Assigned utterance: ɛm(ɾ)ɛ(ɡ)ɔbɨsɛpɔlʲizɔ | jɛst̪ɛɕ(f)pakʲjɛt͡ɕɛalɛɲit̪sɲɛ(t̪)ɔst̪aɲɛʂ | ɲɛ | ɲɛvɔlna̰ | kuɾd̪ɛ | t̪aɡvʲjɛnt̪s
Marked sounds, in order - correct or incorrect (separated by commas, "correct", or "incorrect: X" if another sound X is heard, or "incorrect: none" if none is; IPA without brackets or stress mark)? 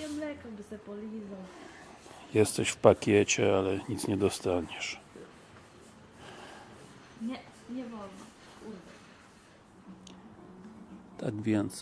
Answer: incorrect: l, incorrect: k, correct, incorrect: d̪